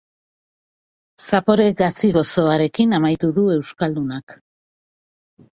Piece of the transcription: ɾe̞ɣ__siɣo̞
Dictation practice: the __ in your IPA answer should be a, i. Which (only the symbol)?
a